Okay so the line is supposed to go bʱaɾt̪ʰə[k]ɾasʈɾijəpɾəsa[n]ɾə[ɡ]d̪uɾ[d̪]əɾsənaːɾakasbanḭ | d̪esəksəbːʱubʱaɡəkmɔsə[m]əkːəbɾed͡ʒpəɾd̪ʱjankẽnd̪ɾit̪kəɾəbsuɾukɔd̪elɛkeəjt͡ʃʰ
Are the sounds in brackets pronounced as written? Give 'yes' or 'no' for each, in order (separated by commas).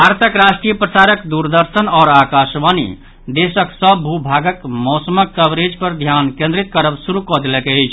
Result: yes, no, no, yes, yes